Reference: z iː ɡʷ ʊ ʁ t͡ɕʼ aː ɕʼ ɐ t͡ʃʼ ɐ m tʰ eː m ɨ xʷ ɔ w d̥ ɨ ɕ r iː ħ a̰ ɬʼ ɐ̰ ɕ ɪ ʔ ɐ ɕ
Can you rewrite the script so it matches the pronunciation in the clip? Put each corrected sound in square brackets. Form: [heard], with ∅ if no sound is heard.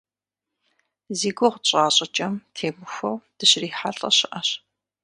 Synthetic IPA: z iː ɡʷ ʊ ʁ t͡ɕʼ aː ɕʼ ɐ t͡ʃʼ ɐ m tʰ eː m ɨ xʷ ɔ w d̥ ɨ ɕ r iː ħ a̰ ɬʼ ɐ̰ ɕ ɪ ʔ ɐ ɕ

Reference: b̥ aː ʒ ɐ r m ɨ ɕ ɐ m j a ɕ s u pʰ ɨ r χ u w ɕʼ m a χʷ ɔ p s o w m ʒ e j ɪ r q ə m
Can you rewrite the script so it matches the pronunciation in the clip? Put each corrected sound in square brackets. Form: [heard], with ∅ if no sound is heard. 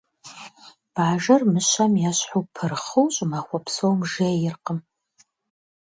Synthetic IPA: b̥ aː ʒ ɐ r m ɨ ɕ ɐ m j a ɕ [ħ] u pʰ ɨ r χ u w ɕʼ m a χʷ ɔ p s o w m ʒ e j ɪ r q ə m

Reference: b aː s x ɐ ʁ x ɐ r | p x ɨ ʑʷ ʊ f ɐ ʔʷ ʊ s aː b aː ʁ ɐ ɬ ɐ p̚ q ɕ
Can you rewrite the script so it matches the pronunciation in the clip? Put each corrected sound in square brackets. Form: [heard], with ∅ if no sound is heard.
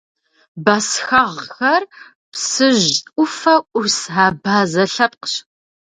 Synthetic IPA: b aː s x ɐ ʁ x ɐ r | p [s] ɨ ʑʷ ʊ f ɐ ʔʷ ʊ s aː b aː [z] ɐ ɬ ɐ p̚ q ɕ

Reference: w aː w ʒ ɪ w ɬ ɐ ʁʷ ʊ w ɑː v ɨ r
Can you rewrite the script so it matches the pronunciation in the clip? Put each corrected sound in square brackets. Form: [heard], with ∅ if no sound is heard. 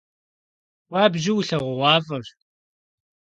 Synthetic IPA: w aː [b] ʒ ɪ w ɬ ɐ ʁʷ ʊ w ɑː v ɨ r

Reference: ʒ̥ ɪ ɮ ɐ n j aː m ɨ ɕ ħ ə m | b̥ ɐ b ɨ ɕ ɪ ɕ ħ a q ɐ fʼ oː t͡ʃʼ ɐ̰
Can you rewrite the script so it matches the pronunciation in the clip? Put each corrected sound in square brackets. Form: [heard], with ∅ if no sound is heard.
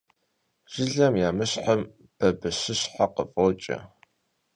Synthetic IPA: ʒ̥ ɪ ɮ ɐ [m] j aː m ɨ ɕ ħ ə m | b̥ ɐ b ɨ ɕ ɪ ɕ ħ a q [ə] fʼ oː t͡ʃʼ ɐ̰

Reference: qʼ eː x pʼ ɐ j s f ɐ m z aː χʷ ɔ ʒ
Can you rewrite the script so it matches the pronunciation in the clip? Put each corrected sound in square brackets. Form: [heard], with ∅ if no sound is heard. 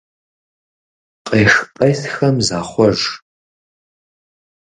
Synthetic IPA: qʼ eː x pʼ ɐ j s [x] ɐ m z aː χʷ ɔ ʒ

